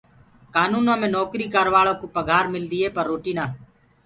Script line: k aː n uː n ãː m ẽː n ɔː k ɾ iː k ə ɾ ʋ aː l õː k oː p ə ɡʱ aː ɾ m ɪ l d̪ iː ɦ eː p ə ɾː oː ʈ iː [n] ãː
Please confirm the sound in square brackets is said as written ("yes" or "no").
yes